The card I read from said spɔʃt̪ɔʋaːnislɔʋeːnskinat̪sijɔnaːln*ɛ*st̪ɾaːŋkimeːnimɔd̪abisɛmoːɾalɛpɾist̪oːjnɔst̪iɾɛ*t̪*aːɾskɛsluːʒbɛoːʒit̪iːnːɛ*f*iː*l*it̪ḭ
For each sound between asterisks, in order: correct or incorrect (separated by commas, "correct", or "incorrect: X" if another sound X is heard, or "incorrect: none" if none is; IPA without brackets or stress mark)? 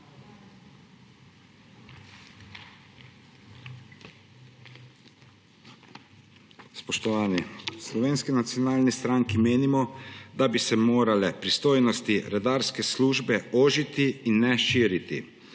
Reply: incorrect: i, incorrect: d̪, incorrect: ʃ, incorrect: ɾ